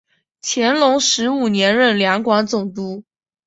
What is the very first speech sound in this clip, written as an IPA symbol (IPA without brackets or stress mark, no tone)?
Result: t͡ɕʰ